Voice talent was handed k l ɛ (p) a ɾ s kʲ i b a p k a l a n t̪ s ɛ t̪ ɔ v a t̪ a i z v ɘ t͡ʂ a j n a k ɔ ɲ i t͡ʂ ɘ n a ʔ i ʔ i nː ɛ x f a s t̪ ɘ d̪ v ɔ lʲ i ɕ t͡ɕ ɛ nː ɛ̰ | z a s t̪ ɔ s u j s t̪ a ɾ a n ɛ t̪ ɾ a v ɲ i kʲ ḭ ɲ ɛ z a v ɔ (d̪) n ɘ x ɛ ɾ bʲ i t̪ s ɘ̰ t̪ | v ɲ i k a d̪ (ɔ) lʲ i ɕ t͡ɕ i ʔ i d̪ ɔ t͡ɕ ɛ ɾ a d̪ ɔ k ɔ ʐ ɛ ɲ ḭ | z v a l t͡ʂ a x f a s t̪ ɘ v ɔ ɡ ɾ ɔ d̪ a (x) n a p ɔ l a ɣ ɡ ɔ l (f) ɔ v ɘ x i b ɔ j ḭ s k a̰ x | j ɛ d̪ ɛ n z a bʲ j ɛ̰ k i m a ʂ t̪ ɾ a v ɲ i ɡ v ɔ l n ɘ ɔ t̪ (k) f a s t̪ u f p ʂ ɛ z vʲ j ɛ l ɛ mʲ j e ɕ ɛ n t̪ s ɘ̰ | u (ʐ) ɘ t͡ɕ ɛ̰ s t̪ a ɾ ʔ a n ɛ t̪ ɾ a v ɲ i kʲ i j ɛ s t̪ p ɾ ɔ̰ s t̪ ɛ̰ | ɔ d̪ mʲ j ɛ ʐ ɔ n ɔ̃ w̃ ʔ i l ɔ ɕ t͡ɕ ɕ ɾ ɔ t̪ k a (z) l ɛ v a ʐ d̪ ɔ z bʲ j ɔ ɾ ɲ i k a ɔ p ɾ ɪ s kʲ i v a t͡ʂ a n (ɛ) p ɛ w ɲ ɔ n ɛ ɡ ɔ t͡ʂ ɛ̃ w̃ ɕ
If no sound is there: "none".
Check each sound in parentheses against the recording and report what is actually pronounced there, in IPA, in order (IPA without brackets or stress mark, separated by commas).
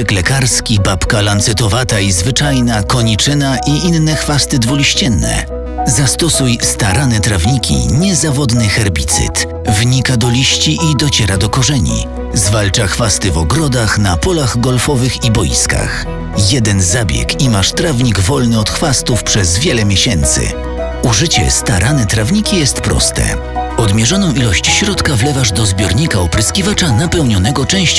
k, d̪, ɔ, x, f, x, ʐ, v, a